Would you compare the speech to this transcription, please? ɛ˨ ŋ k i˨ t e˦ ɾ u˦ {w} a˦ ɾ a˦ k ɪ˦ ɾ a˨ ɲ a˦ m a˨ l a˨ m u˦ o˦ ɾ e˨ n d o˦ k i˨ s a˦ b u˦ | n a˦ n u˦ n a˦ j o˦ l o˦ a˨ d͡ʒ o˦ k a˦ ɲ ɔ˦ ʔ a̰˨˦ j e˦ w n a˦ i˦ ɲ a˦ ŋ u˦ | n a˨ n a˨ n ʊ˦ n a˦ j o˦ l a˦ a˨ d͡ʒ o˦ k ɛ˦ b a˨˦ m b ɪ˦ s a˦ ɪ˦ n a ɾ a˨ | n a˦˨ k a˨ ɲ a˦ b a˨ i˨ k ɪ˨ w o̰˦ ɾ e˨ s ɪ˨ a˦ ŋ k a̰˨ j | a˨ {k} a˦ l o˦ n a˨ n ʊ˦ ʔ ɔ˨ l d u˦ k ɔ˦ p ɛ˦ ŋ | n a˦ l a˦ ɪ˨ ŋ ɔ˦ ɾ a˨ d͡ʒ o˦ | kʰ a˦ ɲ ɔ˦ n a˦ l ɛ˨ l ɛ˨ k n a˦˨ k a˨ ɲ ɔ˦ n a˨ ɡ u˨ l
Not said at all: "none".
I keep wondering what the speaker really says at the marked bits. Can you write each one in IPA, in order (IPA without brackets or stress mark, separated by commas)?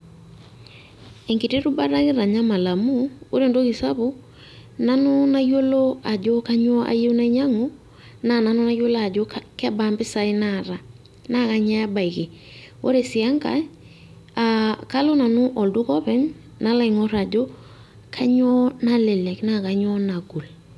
b, k